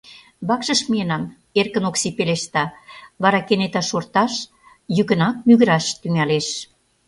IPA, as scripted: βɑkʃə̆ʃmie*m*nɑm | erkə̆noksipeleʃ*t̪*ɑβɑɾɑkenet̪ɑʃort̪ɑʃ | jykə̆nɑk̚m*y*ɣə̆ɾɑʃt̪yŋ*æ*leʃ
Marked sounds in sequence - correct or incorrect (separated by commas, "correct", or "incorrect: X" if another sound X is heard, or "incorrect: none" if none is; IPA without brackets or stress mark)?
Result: incorrect: none, correct, correct, correct